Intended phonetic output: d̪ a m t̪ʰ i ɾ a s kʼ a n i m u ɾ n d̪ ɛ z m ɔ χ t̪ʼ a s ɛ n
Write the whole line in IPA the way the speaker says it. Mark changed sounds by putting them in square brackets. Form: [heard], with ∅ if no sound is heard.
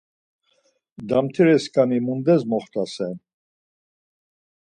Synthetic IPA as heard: d̪ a m t̪ʰ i ɾ [ɛ] s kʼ a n i m u [∅] n d̪ ɛ z m ɔ χ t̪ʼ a s ɛ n